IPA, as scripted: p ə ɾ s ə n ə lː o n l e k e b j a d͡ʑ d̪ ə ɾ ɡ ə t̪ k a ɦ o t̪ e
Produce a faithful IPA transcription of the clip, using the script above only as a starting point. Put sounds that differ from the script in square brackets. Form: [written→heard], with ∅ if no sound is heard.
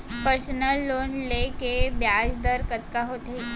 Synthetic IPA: p ə ɾ s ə n ə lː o n l e k e b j a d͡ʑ d̪ ə ɾ [ɡ→k] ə t̪ k a ɦ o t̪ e